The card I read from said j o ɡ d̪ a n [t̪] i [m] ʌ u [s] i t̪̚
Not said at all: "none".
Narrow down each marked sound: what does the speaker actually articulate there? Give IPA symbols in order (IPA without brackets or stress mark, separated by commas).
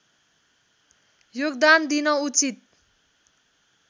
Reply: d̪, n, t͡s